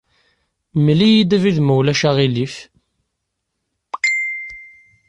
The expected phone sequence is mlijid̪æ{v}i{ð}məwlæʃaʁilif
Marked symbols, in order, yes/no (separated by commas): yes, yes